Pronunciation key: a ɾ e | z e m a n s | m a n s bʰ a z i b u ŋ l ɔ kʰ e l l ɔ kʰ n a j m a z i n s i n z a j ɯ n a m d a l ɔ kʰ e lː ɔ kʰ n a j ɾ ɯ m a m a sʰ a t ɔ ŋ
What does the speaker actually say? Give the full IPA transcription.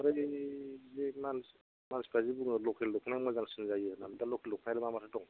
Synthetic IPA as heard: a ɾ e | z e m a n s | m a n s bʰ a z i b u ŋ l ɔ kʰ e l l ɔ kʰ n a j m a z a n s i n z a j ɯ n a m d a l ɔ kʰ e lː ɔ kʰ n a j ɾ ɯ m a m a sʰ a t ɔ ŋ